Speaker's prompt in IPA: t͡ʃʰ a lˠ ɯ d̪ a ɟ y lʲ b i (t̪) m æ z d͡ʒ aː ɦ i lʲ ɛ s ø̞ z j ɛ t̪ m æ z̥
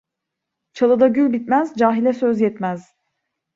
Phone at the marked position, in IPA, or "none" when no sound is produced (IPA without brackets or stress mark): t̪